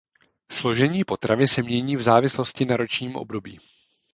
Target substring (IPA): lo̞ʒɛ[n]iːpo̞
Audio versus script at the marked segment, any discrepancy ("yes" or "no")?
yes